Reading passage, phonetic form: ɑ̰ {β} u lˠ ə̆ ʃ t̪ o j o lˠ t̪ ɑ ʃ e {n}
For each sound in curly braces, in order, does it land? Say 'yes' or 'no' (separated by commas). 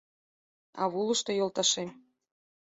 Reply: yes, no